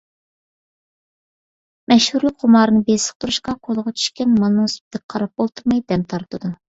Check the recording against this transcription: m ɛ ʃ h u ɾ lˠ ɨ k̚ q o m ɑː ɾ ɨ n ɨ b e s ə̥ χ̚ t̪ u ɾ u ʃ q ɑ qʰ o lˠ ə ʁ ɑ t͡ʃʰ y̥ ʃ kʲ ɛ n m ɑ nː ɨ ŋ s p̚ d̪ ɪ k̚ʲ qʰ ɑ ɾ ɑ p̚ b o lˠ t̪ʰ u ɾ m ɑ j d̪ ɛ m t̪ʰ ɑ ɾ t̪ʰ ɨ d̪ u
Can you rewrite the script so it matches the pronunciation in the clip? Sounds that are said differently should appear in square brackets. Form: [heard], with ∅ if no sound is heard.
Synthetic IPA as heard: m ɛ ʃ h u ɾ lˠ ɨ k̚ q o m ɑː ɾ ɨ n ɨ b e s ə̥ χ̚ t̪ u ɾ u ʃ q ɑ qʰ o lˠ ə ʁ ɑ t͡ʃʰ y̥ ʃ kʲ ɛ n m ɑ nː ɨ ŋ s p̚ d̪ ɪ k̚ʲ qʰ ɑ ɾ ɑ p̚ b o lˠ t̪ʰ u ɾ m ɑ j d̪ ɛ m t̪ʰ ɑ ɾ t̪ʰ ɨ d̪ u